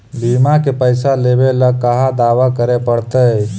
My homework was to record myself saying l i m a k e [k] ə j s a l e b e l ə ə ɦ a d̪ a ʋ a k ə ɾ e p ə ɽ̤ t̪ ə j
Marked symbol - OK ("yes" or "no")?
no